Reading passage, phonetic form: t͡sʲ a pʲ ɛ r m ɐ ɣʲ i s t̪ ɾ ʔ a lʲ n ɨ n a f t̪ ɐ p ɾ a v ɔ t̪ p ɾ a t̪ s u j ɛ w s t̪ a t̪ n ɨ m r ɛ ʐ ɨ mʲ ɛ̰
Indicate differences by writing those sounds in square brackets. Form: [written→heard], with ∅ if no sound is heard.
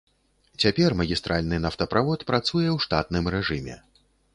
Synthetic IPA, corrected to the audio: t͡sʲ a pʲ ɛ r m ɐ ɣʲ i s t̪ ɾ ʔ a lʲ n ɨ n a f t̪ ɐ p ɾ a v ɔ t̪ p ɾ a t̪ s u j ɛ w [s→ʂ] t̪ a t̪ n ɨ m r ɛ ʐ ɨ mʲ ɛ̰